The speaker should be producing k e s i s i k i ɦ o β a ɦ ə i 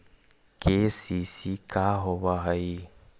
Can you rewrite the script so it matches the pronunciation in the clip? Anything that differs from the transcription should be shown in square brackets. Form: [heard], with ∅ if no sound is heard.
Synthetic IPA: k e s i s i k [a] ɦ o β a ɦ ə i